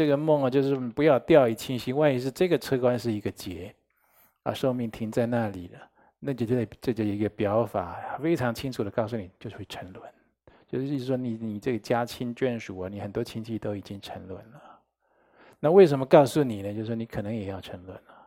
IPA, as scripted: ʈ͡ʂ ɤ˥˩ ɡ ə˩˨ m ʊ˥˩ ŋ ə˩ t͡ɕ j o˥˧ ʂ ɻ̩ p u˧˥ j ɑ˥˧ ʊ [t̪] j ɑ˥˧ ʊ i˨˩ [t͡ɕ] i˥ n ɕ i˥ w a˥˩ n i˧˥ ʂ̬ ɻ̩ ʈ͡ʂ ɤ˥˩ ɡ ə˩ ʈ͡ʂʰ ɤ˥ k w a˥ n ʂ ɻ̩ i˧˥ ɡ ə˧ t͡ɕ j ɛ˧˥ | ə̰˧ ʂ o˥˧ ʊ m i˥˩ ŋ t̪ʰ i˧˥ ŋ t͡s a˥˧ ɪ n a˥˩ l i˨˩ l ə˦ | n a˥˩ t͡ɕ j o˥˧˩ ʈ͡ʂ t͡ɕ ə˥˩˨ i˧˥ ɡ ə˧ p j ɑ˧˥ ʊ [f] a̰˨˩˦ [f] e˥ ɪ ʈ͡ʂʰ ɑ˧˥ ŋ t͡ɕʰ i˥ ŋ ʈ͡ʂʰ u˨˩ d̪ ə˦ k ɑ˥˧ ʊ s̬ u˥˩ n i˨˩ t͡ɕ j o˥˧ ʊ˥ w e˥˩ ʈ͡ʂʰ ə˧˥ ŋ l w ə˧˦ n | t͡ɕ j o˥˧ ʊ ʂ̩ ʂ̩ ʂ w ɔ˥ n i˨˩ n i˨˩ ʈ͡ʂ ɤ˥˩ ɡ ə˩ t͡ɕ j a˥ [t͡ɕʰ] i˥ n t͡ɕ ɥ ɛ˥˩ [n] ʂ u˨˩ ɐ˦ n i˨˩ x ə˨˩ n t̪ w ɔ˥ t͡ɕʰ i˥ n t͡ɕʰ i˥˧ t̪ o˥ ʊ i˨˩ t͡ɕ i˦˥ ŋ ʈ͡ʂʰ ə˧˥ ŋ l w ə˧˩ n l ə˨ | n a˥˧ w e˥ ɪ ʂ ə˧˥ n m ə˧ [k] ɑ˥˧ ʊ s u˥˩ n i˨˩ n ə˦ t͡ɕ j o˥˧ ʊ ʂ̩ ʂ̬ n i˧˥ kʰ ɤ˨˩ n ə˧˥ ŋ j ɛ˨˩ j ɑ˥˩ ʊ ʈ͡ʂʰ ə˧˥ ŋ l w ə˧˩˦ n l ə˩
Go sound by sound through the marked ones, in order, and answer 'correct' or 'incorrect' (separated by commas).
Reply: correct, incorrect, correct, correct, correct, correct, correct